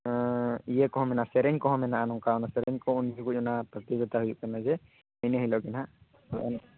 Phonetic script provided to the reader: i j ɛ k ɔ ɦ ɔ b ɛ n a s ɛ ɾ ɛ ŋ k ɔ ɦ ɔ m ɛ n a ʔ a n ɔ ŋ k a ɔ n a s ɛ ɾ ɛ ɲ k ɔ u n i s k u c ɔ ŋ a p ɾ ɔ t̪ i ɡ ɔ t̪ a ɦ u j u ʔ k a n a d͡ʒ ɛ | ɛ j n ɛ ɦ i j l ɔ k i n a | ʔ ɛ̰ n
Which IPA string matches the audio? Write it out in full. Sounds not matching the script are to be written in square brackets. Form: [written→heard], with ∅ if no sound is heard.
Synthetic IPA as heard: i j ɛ k ɔ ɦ ɔ [b→m] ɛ n a s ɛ ɾ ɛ [ŋ→ɲ] k ɔ ɦ ɔ m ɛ n a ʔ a n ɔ ŋ k a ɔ n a s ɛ ɾ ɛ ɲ k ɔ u n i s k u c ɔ [ŋ→n] a p ɾ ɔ t̪ i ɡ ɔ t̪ a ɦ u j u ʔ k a n a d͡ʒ ɛ | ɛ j n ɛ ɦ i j l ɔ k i n a | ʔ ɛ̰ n